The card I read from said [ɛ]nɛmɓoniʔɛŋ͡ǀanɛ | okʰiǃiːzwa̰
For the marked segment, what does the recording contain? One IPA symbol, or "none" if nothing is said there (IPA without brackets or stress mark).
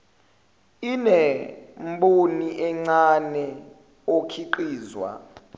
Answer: i